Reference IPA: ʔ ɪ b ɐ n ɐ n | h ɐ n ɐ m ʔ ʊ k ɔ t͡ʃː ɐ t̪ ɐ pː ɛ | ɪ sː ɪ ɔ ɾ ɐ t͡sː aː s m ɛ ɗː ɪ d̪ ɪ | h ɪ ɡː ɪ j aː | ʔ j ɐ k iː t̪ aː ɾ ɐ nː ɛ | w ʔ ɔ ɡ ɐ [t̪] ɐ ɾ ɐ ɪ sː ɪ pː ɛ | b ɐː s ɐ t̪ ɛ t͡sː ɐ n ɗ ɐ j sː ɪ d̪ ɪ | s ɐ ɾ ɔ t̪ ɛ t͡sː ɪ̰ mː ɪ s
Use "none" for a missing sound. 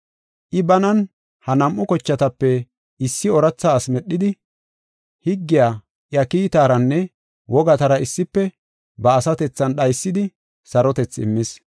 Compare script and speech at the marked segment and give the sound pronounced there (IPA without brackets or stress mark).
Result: t̪